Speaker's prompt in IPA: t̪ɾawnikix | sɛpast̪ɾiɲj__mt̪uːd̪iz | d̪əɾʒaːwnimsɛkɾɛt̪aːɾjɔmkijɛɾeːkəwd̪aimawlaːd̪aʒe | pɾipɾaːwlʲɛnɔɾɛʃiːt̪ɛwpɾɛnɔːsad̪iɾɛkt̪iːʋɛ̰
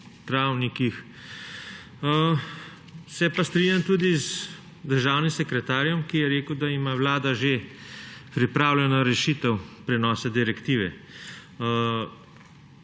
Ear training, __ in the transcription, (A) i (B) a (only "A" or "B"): B